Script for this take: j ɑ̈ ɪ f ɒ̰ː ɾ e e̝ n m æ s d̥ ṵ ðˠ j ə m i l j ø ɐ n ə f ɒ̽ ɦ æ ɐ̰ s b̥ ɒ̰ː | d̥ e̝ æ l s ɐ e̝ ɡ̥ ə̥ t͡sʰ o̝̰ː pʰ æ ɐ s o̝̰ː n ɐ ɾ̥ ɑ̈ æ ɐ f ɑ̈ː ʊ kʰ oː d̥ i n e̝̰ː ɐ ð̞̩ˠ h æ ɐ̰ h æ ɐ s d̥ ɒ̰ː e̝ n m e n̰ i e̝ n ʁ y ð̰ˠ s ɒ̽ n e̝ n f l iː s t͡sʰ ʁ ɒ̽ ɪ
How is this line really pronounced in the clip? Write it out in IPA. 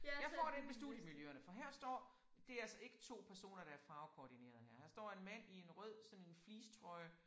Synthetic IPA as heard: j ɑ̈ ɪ f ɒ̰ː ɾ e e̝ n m e s d̥ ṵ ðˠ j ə m i l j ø ɐ n ə f ɒ̽ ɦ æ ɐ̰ s d̥ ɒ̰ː | d̥ e̝ æ l s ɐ e̝ ɡ̥ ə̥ t͡sʰ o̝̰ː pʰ æ ɐ s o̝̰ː n ɐ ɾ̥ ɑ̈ æ ɐ f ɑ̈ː ʊ kʰ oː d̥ i n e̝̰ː ɐ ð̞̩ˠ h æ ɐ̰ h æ ɐ s d̥ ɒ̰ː e̝ n m æ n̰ i e̝ n ʁ œ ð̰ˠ s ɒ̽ n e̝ n f l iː s t͡sʰ ʁ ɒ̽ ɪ